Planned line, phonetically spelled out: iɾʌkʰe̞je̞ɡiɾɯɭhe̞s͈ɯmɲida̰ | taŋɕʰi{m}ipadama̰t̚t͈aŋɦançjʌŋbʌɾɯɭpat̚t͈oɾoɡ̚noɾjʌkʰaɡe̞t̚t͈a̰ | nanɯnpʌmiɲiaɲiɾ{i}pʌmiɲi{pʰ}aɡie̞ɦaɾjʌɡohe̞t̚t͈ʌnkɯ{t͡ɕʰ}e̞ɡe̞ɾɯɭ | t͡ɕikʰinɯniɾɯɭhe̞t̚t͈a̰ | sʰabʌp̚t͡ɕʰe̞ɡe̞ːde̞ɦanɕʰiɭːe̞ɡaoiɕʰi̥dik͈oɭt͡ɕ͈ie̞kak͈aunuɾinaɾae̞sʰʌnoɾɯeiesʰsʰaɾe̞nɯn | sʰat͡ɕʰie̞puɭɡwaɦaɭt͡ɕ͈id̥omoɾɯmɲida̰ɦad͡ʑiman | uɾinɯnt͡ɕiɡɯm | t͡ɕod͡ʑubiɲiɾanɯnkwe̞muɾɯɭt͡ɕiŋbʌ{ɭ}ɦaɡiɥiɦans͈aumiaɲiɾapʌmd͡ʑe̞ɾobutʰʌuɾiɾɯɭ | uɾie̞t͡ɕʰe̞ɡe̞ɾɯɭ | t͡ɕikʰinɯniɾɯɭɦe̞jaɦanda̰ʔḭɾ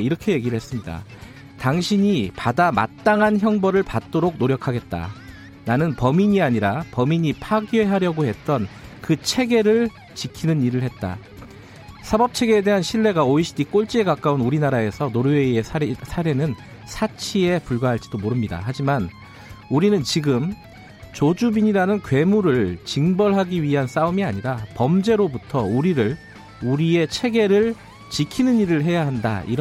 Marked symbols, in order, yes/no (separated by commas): no, no, yes, yes, yes